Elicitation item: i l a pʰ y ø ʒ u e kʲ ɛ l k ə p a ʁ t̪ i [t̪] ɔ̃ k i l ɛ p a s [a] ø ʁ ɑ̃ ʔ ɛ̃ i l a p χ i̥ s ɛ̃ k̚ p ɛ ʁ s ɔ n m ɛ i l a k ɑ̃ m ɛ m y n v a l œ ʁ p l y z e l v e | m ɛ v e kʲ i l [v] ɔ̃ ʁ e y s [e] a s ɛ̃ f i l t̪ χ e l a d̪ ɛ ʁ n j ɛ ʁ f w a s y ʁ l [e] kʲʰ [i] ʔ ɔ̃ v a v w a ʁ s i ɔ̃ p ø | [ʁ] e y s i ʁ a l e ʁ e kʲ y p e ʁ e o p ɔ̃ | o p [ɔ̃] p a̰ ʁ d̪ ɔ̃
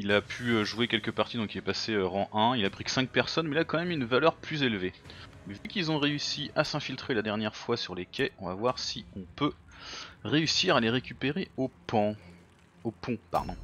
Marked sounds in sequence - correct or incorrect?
incorrect, incorrect, incorrect, incorrect, correct, incorrect, correct, correct

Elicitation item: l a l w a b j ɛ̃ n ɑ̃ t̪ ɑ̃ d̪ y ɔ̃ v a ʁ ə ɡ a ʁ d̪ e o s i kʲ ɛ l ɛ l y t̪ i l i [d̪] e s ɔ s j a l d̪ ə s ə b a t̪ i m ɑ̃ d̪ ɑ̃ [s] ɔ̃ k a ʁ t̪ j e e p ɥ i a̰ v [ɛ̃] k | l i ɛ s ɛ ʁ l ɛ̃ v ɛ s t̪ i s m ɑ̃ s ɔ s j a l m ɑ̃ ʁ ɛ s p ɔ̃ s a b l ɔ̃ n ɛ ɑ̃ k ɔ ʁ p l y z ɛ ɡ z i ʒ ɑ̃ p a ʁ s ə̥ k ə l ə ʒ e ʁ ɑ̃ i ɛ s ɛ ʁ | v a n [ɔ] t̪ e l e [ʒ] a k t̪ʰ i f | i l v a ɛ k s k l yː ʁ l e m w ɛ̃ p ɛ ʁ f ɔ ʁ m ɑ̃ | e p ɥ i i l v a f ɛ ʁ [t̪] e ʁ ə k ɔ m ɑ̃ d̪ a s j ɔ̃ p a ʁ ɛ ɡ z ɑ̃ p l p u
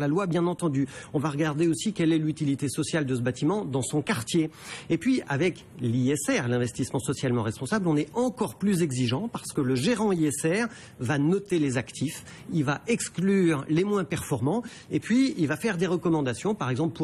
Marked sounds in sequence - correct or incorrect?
incorrect, correct, incorrect, correct, incorrect, incorrect

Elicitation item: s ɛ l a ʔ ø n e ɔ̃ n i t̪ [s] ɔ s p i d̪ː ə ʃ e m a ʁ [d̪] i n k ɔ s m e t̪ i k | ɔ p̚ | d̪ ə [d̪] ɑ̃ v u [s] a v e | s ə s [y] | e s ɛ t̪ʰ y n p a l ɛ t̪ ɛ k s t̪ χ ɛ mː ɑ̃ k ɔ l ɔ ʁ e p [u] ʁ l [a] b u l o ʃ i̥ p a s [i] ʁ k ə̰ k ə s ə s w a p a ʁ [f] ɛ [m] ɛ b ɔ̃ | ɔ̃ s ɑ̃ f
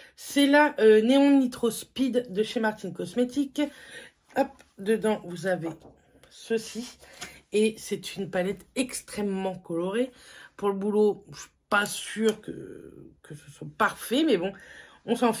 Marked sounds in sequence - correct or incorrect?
incorrect, incorrect, correct, incorrect, incorrect, correct, incorrect, incorrect, correct, correct

